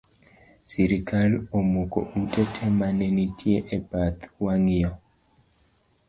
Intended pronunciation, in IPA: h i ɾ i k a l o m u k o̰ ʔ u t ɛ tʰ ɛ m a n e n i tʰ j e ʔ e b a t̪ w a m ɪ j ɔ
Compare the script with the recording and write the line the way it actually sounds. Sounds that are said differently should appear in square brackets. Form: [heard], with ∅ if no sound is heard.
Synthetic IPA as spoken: [s] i ɾ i k a l o m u k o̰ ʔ u t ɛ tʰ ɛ m a n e n i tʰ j e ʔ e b a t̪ w a [ŋ] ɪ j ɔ